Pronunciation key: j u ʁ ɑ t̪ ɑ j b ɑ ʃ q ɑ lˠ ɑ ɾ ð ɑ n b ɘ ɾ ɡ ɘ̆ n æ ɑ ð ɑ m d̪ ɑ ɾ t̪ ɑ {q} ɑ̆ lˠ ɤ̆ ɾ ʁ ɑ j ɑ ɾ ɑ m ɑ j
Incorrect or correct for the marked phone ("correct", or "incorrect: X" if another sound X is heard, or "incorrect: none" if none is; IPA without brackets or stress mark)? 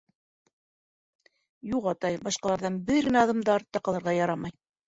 correct